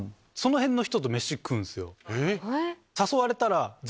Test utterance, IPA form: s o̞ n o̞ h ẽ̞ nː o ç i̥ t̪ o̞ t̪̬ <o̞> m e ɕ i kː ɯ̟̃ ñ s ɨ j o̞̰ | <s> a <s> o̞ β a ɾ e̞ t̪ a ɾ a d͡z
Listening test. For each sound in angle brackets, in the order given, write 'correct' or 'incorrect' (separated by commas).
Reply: correct, correct, correct